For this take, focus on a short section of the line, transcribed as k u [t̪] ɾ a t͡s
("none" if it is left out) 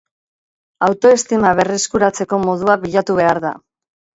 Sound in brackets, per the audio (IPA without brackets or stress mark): none